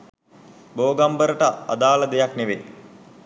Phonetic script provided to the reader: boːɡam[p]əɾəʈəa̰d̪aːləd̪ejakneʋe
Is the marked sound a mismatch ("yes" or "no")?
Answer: yes